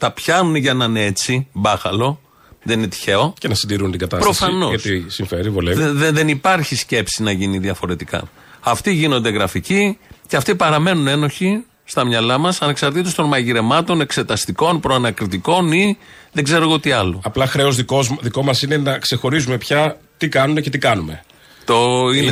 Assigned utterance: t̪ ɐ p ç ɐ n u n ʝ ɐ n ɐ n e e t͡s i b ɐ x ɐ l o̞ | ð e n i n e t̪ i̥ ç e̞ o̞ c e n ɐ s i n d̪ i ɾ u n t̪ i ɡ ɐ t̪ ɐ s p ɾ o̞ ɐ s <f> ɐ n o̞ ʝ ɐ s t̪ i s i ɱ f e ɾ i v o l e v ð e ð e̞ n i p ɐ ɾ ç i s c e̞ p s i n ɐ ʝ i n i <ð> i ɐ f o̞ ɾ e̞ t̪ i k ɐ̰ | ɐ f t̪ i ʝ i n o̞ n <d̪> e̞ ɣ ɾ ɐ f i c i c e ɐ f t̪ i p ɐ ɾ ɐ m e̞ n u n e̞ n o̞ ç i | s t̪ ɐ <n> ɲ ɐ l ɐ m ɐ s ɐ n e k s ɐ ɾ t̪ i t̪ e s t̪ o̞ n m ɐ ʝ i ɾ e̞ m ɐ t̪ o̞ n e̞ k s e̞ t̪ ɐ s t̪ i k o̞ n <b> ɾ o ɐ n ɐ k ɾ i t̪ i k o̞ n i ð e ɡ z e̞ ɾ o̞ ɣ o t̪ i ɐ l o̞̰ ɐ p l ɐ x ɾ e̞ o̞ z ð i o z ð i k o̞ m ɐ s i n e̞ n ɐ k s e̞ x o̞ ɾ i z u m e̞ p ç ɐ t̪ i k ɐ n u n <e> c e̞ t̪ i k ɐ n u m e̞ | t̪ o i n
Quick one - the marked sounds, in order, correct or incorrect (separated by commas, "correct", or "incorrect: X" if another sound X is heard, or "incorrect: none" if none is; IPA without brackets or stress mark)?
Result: correct, correct, correct, incorrect: m, incorrect: p, correct